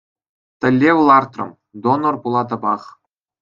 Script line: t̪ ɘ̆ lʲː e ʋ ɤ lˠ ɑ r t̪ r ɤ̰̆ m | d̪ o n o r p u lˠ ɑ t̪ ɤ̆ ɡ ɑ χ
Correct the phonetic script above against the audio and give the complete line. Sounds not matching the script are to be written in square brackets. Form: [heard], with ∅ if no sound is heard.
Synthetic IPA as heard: t̪ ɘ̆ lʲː e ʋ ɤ lˠ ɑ r t̪ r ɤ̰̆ m | d̪ o n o r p u lˠ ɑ t̪ ɤ̆ [b] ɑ χ